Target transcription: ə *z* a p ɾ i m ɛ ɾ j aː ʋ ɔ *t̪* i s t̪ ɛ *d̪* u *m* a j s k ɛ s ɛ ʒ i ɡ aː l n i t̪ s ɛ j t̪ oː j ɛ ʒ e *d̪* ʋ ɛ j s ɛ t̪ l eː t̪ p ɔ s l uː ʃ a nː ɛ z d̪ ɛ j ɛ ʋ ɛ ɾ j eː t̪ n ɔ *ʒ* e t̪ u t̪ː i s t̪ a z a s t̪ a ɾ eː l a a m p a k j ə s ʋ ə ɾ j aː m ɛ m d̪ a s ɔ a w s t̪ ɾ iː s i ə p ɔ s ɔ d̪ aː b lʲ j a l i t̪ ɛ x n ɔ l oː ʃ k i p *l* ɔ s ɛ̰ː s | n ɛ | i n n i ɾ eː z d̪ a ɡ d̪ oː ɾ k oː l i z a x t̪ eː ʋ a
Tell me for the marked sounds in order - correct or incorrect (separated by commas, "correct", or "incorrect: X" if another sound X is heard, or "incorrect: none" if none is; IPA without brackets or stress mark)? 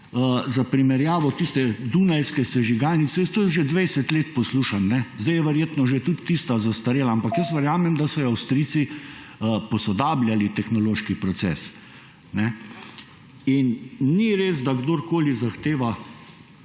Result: correct, correct, correct, incorrect: n, correct, correct, incorrect: ɾ